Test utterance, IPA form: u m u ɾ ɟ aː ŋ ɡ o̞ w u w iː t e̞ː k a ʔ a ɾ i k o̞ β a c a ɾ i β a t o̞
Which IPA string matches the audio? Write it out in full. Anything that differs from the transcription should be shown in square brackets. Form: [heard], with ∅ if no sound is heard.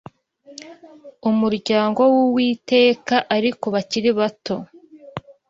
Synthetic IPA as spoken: u m u ɾ ɟ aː ŋ ɡ o̞ w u w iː t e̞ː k a ʔ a ɾ i k o̞ β a c [i] ɾ i β a t o̞